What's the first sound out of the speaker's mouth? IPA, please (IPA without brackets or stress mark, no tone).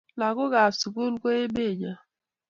l